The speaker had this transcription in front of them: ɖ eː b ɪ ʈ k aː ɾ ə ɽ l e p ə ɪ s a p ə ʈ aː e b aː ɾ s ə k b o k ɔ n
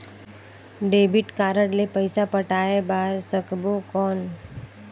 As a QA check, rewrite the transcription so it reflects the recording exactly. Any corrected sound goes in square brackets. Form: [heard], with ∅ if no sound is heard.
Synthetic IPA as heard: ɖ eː b ɪ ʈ k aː ɾ ə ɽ l e p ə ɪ s a p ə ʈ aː e b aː ɾ s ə k b o k [ɔː] n